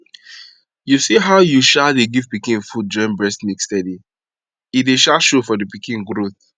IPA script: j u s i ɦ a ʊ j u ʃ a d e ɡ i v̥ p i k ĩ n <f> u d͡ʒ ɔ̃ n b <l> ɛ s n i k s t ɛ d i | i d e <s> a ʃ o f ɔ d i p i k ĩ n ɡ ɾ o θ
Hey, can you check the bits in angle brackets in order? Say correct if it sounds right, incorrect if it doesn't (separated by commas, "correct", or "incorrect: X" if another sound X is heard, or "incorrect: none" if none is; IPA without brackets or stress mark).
correct, incorrect: ɹ, incorrect: ʃ